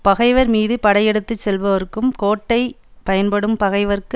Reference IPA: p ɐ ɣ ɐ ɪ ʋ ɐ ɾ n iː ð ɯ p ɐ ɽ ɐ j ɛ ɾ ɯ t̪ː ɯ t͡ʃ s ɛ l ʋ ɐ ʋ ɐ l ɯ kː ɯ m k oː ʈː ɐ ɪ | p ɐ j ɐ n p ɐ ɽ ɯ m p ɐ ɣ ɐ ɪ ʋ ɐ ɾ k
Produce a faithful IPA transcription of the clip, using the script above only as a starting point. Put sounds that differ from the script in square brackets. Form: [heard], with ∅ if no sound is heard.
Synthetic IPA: p ɐ ɣ ɐ ɪ ʋ ɐ ɾ [m] iː ð ɯ p ɐ ɽ ɐ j ɛ [ɽ] ɯ t̪ː ɯ t͡ʃ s ɛ l ʋ ɐ ʋ ɐ [ɾ] ɯ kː ɯ m k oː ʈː ɐ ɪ | p ɐ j ɐ n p ɐ ɽ ɯ m p ɐ ɣ ɐ ɪ ʋ ɐ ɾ k